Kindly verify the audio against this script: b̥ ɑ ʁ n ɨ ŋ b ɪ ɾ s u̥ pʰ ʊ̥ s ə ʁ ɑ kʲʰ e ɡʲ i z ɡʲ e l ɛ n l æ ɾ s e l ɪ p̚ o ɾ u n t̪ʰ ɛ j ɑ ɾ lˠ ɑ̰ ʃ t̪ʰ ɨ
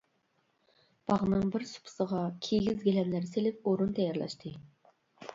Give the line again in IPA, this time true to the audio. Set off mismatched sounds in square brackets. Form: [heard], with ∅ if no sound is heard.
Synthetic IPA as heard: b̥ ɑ ʁ n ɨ ŋ b ɪ ɾ s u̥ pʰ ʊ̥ s ə ʁ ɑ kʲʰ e ɡʲ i z ɡʲ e l ɛ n l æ ɾ s e l ɪ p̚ o ɾ u n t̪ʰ ɛ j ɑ ɾ lˠ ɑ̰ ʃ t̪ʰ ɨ